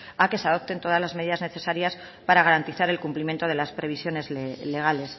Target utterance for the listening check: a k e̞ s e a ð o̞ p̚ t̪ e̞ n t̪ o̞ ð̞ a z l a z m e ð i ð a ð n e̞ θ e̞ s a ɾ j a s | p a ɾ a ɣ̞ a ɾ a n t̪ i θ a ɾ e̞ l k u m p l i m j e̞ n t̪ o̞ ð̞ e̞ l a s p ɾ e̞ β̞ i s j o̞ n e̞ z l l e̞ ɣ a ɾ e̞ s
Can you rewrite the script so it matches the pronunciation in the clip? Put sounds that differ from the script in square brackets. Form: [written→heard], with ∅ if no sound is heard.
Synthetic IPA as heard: a k e̞ s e a ð o̞ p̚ t̪ e̞ n t̪ o̞ ð̞ a z l a z m e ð i ð a [ð→z] n e̞ θ e̞ s a ɾ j a s | p a ɾ a ɣ̞ a ɾ a n t̪ i θ a ɾ e̞ l k u m p l i m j e̞ n t̪ o̞ ð̞ e̞ l a s p ɾ e̞ β̞ i s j o̞ n e̞ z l l e̞ ɣ a [ɾ→l] e̞ s